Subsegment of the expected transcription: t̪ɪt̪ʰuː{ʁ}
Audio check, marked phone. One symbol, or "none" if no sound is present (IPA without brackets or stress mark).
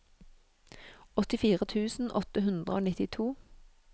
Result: none